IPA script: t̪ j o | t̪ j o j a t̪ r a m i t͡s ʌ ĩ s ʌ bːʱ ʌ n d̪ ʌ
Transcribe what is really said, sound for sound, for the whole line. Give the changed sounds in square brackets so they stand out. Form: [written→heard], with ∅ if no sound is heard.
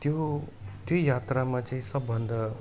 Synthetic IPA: t̪ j o | t̪ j o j a t̪ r a m [i→a] t͡s [ʌ→a] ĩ s ʌ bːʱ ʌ n d̪ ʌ

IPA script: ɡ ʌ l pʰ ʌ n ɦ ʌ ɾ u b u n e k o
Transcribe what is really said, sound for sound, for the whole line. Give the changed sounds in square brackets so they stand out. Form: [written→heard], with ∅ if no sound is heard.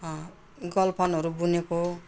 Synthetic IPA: ɡ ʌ l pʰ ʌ n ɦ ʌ ɾ u b u n e k o

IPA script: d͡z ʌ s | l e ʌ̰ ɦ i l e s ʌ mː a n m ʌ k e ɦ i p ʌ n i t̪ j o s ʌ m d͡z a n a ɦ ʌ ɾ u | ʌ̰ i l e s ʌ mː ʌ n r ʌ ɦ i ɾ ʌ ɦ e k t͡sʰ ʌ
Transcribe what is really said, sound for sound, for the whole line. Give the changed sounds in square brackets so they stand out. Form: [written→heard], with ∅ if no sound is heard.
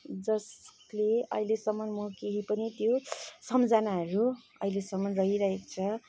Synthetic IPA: d͡z ʌ s | l e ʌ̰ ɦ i l e s ʌ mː [a→ʌ] n m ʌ k e ɦ i p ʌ n i t̪ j o s ʌ m d͡z a n a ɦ ʌ ɾ u | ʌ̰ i l e s ʌ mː ʌ n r ʌ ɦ i ɾ ʌ ɦ e k t͡sʰ ʌ

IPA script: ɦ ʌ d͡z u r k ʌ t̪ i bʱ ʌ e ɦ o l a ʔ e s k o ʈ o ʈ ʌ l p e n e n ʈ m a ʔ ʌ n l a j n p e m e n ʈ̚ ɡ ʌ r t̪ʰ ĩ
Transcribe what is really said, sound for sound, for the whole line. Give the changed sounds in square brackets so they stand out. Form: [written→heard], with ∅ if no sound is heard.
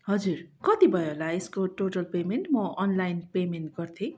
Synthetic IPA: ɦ ʌ d͡z u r k ʌ t̪ i bʱ ʌ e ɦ o l a [ʔ→∅] e s k o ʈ o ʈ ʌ l p e [n→m] e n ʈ m [a→ʌ] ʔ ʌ n l a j n p e m e n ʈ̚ ɡ ʌ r t̪ʰ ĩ

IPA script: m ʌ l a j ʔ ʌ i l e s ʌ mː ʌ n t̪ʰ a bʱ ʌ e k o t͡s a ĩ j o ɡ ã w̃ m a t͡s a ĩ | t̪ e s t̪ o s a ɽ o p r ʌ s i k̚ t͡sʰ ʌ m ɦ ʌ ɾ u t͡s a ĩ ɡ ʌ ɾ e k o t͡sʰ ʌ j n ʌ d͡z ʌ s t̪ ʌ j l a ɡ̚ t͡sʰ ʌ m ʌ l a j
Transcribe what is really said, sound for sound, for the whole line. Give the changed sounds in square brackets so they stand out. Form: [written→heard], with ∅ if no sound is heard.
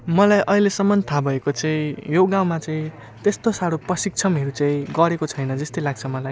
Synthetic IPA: m ʌ l a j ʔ ʌ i l e s ʌ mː ʌ n t̪ʰ a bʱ ʌ e k o t͡s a ĩ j o ɡ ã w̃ m a t͡s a ĩ | t̪ e s t̪ o s a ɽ o p r ʌ s i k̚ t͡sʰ ʌ m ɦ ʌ ɾ u t͡s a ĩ ɡ ʌ ɾ e k o t͡sʰ ʌ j n ʌ d͡z ʌ s t̪ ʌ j l a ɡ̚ t͡sʰ ʌ m ʌ l a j

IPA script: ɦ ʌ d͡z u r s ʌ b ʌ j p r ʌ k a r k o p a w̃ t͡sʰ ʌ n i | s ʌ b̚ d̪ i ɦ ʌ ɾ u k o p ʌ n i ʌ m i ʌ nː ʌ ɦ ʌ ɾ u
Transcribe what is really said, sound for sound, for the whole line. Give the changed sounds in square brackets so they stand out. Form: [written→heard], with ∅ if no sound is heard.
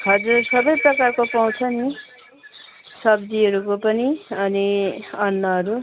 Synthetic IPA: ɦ ʌ d͡z u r s ʌ b ʌ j p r ʌ k a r k o p a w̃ t͡sʰ ʌ n i | s ʌ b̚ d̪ i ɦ ʌ ɾ u k o p ʌ n i ʌ [m→n] i ʌ nː ʌ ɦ ʌ ɾ u

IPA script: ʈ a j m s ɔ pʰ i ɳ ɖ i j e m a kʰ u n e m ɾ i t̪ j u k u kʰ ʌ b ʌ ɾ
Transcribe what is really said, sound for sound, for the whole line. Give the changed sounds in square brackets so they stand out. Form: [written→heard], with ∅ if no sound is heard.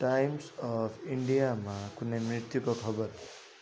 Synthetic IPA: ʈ a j m s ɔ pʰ i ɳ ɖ i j [e→a] m a [kʰ→k] u n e m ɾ i t̪ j u k [u→o] kʰ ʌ b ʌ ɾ

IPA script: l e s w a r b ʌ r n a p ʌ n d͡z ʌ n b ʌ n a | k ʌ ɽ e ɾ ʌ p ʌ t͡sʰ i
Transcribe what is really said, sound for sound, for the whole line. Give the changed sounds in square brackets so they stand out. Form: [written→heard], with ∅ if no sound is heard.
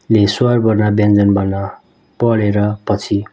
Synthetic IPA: l e s w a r b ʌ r n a [p→b] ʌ n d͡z ʌ n b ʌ n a | [k→p] ʌ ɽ e ɾ ʌ p ʌ t͡sʰ i

